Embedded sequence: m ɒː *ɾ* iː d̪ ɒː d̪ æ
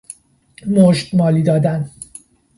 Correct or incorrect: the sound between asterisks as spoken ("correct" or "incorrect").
incorrect